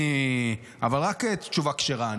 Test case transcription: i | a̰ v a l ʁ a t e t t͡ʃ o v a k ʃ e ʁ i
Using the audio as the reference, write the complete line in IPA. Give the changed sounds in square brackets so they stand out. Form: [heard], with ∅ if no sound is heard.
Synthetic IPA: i | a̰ v a l ʁ a [k] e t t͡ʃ [u] v a k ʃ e ʁ [a]